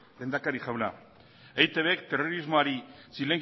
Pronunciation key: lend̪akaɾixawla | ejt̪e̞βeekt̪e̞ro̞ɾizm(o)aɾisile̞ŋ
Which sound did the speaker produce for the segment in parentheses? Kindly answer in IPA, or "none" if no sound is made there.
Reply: o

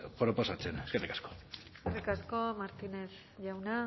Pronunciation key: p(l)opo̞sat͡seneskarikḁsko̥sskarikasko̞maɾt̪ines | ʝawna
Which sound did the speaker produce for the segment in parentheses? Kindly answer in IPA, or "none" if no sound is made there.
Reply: ɾ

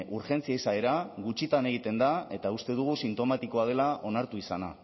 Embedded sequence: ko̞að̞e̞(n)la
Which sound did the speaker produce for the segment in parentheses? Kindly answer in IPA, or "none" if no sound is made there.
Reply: none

